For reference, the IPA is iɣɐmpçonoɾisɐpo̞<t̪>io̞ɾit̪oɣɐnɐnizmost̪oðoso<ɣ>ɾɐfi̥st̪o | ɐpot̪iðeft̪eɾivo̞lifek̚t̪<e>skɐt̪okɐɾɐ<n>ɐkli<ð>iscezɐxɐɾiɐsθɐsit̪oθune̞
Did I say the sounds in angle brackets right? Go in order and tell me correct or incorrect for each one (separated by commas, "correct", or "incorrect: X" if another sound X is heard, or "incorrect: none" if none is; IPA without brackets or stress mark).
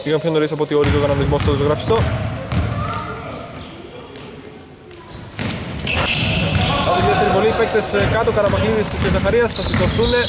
correct, correct, correct, incorrect: m, correct